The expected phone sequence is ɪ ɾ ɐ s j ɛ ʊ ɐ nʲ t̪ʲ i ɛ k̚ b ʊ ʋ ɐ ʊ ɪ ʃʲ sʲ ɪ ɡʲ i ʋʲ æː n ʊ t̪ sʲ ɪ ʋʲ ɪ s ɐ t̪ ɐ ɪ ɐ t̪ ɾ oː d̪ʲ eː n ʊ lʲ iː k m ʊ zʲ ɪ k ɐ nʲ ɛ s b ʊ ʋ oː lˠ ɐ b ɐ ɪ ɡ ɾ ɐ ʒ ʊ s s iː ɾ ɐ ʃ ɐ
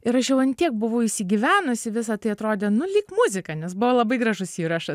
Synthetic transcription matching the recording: ɪ ɾ ɐ ʃ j ɛ ʊ ɐ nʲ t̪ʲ i ɛ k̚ b ʊ ʋ ɐ ʊ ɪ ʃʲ sʲ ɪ ɡʲ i ʋʲ æː n ʊ sʲ ɪ ʋʲ ɪ s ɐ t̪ ɐ ɪ ɐ t̪ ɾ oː d̪ʲ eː n ʊ lʲ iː k m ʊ zʲ ɪ k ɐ nʲ ɛ s b ʊ ʋ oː lˠ ɐ b ɐ ɪ ɡ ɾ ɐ ʒ ʊ s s iː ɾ ɐ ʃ ɐ